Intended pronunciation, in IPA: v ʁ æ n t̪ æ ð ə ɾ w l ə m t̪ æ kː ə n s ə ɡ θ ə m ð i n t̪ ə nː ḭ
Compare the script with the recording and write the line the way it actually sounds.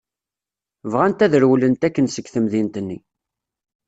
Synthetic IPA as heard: v ʁ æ n t̪ æ ð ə ɾ w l ə n t̪ æ kː ə n s ə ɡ θ ə m ð i n t̪ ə nː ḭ